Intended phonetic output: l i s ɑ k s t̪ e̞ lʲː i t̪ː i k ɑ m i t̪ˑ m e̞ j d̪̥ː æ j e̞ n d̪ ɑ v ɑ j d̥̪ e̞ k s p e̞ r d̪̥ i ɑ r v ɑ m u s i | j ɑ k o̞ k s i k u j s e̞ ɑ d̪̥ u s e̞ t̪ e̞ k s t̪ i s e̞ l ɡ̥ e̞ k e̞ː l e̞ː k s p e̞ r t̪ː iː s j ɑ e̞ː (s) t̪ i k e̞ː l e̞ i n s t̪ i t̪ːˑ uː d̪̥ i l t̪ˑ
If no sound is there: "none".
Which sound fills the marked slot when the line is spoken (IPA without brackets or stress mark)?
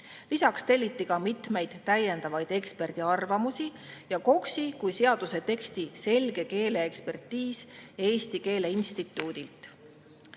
s